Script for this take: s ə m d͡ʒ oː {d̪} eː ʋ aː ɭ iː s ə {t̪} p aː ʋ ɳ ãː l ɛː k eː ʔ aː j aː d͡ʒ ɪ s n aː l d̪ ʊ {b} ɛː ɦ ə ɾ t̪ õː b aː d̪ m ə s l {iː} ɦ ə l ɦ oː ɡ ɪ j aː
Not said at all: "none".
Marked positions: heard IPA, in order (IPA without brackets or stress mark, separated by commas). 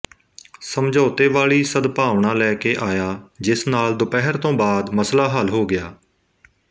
t̪, d̪, p, aː